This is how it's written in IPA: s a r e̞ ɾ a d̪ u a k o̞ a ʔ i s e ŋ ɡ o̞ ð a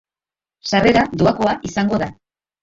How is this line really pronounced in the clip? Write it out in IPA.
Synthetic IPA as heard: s a r e̞ ɾ a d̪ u a k o̞ a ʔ i s a ŋ ɡ o̞ ð a